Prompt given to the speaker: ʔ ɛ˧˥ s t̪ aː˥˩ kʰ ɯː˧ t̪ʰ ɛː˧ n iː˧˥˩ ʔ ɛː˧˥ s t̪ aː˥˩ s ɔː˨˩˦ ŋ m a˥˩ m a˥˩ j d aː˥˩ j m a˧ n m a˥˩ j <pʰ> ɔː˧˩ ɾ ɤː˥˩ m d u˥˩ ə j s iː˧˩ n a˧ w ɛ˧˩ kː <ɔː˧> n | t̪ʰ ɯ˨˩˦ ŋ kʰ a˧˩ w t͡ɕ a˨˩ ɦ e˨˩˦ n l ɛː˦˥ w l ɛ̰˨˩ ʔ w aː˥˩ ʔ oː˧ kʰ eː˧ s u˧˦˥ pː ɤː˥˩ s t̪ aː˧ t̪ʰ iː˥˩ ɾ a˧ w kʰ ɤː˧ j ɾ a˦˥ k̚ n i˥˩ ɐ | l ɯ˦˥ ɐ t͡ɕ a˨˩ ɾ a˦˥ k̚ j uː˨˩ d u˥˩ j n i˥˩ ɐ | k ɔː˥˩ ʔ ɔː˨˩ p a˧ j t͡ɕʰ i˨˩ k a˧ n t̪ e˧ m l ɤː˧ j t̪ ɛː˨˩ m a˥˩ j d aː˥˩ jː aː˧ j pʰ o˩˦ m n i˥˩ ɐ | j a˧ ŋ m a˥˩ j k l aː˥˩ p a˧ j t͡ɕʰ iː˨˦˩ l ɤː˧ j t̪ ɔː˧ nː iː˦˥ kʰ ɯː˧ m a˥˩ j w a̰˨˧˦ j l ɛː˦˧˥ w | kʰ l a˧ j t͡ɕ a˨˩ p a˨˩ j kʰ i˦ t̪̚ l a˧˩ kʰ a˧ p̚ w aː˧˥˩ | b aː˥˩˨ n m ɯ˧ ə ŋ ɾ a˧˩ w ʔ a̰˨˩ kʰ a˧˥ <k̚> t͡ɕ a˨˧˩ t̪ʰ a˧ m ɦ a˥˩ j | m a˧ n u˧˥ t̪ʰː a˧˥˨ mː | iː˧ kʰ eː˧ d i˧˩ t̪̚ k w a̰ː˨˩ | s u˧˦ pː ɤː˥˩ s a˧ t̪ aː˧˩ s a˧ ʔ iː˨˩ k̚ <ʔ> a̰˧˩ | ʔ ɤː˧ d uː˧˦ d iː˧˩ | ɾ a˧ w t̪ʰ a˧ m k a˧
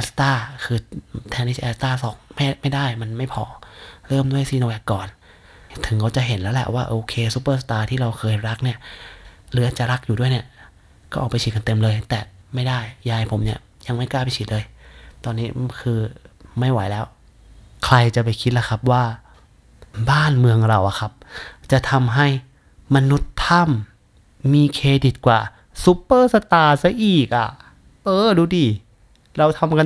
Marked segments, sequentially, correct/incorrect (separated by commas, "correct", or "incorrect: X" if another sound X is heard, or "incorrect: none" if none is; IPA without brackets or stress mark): correct, incorrect: ɔː˨˩, incorrect: p̚, correct